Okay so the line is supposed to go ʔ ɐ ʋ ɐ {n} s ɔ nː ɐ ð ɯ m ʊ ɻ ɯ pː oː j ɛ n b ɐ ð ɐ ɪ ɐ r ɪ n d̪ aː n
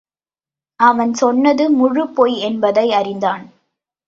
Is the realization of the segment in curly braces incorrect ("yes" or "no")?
no